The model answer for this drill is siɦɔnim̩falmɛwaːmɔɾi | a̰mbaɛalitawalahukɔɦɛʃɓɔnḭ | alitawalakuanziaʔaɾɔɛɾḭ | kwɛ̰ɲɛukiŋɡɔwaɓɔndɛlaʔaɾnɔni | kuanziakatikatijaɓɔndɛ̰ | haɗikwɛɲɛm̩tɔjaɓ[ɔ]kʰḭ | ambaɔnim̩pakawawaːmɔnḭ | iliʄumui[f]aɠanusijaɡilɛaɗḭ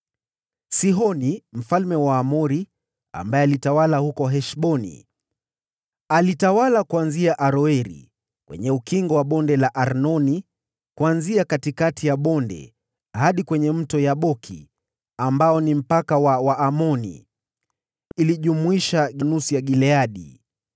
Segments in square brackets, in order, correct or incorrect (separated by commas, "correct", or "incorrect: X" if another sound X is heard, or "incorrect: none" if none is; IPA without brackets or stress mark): correct, incorrect: ʃ